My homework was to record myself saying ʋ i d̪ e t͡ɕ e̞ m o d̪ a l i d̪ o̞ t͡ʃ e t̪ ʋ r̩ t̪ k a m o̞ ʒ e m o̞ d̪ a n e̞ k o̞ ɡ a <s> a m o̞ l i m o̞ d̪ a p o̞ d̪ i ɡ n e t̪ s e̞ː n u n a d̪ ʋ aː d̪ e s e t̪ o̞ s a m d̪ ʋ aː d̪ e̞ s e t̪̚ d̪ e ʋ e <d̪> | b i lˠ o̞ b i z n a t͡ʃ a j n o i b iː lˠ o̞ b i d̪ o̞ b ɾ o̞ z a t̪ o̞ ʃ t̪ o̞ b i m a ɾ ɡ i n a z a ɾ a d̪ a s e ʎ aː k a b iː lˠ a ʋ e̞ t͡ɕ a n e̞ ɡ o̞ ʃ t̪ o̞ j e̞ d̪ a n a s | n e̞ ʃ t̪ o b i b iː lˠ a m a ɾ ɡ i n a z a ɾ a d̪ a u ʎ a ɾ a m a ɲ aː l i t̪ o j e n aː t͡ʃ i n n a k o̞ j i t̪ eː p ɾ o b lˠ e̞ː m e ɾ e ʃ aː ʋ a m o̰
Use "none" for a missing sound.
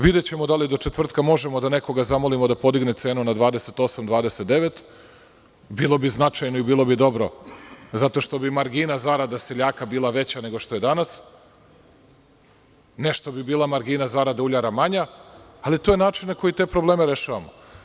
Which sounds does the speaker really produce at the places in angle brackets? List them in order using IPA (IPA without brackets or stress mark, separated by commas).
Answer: z, t̪